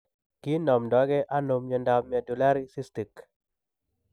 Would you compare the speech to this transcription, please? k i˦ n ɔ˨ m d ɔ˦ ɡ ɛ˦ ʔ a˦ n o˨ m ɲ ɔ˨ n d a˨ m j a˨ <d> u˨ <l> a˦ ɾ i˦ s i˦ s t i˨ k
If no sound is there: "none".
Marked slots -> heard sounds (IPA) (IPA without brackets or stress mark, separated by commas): d, l